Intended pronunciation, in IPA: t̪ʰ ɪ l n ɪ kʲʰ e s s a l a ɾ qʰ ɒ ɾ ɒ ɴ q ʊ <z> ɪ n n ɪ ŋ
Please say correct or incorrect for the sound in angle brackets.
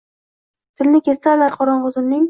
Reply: correct